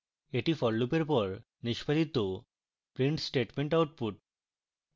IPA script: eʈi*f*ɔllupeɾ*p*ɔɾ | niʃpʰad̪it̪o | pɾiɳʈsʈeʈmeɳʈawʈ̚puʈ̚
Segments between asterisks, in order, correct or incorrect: correct, correct

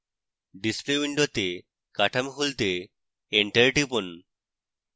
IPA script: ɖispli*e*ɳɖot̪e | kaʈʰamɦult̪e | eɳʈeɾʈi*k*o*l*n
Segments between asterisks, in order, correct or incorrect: incorrect: i, incorrect: p, incorrect: none

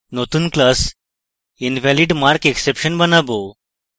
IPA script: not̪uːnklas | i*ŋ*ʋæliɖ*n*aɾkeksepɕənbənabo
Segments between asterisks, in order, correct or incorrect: incorrect: n, incorrect: m

